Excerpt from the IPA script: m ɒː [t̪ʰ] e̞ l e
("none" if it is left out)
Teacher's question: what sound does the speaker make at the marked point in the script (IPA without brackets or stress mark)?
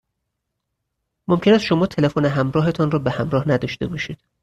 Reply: t̪ʰ